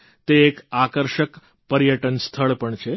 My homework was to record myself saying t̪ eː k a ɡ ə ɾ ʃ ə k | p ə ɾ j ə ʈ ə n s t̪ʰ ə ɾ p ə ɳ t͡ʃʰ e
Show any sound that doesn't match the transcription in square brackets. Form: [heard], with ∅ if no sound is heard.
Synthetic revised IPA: t̪ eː k a [k] ə ɾ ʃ ə k | p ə ɾ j ə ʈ ə n s t̪ʰ ə [ɭ] p ə ɳ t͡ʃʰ e